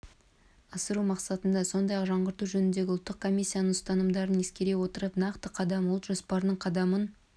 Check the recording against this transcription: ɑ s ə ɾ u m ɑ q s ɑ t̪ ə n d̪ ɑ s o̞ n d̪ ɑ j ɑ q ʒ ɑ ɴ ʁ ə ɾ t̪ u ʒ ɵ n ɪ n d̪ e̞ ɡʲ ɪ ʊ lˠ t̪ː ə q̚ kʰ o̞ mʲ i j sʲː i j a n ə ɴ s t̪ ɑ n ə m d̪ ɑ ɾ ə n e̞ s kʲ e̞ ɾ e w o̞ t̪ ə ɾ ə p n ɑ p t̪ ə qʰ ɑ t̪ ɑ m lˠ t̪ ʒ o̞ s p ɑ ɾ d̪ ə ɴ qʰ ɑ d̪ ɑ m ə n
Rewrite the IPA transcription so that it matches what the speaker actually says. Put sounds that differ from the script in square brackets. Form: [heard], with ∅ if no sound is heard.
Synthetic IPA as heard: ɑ s ə ɾ u m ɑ q s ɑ t̪ ə n d̪ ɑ s o̞ n d̪ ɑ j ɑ q ʒ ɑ ɴ ʁ ə ɾ t̪ u ʒ ɵ n ɪ n d̪ e̞ ɡʲ ɪ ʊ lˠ t̪ː ə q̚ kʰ o̞ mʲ i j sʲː i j a n ə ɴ s t̪ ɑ n ə m d̪ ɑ ɾ ə n e̞ s kʲ e̞ ɾ e w o̞ t̪ ə ɾ ə p n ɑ [q] t̪ ə qʰ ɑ [d̪] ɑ m lˠ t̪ ʒ o̞ s p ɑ ɾ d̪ ə ɴ qʰ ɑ d̪ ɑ m ə n